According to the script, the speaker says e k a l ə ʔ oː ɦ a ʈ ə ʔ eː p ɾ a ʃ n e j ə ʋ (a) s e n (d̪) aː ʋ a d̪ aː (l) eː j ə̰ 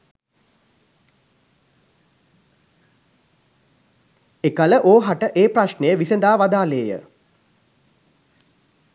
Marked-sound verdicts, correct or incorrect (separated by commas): incorrect, correct, correct